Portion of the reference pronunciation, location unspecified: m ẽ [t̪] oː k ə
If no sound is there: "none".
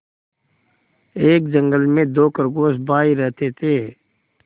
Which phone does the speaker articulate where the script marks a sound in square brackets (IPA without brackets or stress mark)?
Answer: d̪